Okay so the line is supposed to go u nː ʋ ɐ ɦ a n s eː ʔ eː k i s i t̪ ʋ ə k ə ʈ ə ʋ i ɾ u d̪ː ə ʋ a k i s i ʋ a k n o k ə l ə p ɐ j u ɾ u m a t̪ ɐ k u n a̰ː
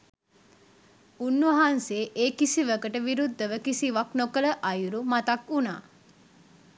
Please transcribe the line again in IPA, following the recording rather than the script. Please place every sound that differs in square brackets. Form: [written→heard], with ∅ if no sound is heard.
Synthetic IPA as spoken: u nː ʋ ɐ ɦ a n s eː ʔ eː k i s i [t̪→∅] ʋ ə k ə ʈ ə ʋ i ɾ u d̪ː ə ʋ [a→ə] k i s i ʋ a k n o k ə l ə [p→ʔ] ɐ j u ɾ u m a t̪ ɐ k u n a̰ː